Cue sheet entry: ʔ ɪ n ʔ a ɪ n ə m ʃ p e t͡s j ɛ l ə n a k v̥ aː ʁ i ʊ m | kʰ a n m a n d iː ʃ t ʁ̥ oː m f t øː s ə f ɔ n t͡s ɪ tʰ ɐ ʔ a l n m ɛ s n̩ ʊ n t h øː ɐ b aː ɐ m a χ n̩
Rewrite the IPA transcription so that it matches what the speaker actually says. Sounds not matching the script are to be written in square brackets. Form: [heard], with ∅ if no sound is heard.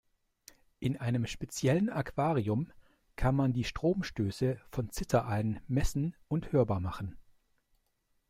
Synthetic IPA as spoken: ʔ ɪ n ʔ a ɪ n ə m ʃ p e t͡s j ɛ l ə n a k v̥ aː ʁ i ʊ m | kʰ a n m a n d iː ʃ t ʁ̥ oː m [ʃ] t øː s ə f ɔ n t͡s ɪ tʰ ɐ ʔ a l n m ɛ s n̩ ʊ n t h øː ɐ b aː ɐ m a χ n̩